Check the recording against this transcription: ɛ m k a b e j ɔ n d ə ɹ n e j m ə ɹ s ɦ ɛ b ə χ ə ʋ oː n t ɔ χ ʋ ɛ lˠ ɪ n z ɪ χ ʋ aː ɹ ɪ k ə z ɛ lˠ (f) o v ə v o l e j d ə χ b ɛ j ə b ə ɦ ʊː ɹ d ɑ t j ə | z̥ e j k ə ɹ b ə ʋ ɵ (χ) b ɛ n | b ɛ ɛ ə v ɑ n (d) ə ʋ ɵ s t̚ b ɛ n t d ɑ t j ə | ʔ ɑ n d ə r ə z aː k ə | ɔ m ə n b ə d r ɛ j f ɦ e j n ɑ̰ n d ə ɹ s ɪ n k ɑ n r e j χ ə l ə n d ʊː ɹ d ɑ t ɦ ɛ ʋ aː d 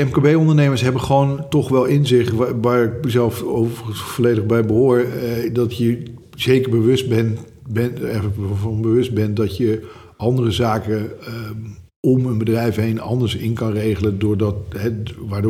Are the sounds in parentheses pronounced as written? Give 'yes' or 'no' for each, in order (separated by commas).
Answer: yes, no, no